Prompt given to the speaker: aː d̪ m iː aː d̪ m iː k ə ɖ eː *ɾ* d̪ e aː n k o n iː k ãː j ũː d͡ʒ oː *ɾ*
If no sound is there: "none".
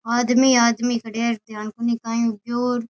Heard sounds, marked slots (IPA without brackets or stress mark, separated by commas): ɾ, ɾ